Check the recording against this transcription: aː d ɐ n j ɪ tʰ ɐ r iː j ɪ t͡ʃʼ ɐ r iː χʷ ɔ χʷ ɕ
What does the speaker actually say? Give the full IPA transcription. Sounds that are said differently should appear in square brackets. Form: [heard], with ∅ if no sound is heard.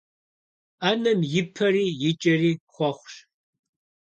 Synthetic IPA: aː [n] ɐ [m] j ɪ [pʰ] ɐ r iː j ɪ t͡ʃʼ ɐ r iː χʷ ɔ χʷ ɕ